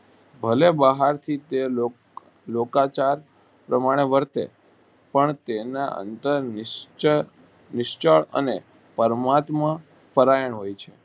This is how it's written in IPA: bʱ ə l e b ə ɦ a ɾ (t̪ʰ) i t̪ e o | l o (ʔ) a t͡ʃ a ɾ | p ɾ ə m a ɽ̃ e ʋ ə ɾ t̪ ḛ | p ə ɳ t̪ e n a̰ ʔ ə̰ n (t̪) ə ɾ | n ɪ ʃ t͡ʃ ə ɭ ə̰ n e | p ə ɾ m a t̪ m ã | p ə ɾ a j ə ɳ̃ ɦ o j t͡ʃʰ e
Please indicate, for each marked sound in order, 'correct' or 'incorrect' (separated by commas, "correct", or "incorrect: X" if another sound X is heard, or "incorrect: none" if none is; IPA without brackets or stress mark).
correct, incorrect: k, correct